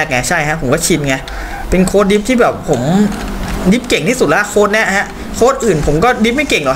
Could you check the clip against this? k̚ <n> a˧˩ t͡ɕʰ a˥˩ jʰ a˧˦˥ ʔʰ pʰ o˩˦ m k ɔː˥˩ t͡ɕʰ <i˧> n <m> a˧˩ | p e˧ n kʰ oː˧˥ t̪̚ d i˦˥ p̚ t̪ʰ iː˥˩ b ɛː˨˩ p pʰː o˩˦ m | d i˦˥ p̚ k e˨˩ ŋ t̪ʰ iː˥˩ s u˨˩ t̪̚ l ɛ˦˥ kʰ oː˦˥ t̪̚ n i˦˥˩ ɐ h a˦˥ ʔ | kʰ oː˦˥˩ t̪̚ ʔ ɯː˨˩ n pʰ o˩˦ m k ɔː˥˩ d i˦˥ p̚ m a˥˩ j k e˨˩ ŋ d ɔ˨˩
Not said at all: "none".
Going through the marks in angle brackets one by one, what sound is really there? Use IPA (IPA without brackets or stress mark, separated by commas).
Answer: ŋ, i˧, ŋ